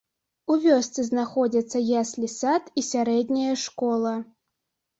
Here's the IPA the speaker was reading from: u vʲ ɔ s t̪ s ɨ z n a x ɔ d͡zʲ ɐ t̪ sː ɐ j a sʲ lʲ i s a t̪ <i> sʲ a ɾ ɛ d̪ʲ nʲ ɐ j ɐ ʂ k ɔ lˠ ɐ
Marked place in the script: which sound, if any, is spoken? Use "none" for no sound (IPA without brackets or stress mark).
i